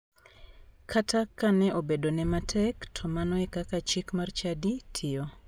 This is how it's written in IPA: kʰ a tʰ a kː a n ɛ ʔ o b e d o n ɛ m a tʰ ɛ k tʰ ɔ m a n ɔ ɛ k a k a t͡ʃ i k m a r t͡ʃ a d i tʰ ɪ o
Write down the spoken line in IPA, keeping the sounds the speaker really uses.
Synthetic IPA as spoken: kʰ a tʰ a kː a n ɛ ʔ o b e d o n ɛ m a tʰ ɛ k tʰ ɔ m a n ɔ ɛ k a k a t͡ʃ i k m a r t͡ʃ a d i tʰ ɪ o